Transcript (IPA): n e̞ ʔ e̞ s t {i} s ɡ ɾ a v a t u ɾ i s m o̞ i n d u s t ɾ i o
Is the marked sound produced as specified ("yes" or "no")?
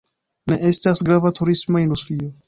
no